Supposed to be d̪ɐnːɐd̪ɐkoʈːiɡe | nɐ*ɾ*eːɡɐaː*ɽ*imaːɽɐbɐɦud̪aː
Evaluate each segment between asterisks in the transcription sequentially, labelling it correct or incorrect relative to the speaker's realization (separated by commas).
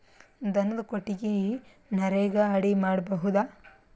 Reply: correct, correct